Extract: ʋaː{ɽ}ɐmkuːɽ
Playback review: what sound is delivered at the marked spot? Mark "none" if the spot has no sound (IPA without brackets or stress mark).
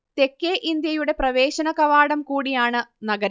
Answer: ɽ